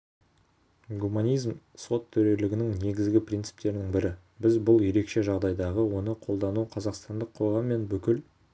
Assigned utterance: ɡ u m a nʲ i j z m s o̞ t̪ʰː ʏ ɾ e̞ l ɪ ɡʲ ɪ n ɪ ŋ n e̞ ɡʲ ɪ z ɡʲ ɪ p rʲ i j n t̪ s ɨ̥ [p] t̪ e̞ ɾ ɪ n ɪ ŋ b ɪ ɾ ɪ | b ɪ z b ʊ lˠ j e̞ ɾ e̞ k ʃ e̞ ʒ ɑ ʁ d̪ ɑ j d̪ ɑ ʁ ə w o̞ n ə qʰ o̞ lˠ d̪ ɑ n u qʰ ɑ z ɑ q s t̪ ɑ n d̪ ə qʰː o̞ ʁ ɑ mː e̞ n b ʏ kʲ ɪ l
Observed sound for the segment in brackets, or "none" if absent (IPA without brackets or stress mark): p